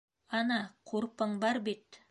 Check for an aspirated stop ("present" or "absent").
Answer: present